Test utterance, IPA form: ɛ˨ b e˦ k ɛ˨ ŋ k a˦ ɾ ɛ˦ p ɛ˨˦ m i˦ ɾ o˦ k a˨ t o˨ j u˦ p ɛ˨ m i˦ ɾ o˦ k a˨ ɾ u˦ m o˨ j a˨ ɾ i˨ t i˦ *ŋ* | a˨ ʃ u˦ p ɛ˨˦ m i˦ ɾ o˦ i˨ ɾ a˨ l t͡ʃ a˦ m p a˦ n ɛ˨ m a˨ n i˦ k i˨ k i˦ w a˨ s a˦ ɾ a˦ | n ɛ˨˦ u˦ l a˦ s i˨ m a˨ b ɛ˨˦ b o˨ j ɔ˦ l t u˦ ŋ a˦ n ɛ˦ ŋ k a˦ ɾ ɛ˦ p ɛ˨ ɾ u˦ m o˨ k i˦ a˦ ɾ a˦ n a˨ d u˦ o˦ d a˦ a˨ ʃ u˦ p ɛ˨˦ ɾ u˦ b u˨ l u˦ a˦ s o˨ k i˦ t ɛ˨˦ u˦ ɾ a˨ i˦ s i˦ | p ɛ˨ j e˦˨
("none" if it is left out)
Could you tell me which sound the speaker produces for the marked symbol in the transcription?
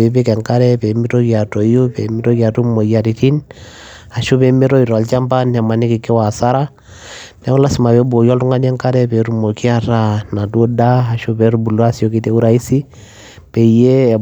n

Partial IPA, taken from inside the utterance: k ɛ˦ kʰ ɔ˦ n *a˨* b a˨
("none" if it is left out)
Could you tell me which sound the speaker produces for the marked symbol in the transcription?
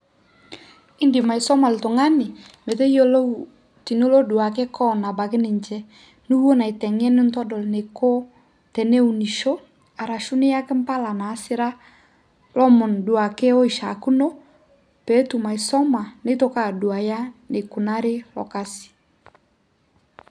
a˨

